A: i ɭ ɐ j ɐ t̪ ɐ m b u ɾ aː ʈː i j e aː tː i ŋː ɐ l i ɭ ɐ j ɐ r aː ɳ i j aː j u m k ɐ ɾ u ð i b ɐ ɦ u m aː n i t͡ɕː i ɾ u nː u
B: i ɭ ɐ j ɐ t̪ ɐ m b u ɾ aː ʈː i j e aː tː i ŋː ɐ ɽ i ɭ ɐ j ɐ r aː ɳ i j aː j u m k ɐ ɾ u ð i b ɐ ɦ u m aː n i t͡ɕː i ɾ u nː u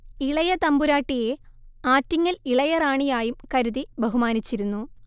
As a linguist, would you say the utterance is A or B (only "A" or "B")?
A